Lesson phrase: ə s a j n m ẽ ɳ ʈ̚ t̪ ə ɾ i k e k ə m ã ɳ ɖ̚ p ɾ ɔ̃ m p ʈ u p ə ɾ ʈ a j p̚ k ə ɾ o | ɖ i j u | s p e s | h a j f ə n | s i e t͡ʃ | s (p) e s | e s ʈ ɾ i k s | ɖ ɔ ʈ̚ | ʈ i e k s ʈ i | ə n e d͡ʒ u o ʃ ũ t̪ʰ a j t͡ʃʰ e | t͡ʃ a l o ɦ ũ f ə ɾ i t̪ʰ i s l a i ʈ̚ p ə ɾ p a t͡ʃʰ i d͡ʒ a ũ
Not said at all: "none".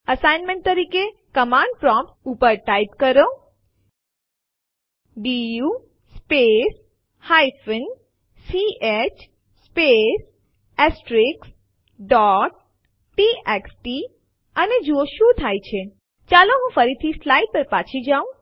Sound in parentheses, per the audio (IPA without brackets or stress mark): p